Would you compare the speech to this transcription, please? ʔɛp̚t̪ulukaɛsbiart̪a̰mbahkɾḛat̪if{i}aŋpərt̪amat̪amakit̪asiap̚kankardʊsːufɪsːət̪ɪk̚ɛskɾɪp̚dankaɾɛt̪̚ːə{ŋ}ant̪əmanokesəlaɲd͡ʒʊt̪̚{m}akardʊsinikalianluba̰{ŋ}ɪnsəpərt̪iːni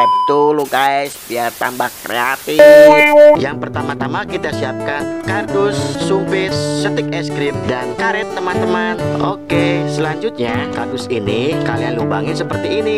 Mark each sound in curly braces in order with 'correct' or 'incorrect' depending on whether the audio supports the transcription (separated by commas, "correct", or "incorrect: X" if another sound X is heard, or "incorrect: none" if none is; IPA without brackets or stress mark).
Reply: incorrect: j, incorrect: m, incorrect: ɲ, correct